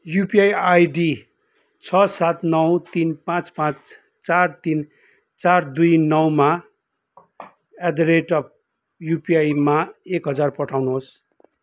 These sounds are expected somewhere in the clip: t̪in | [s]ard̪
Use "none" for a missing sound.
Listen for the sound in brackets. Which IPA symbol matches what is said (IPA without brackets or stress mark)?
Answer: t͡s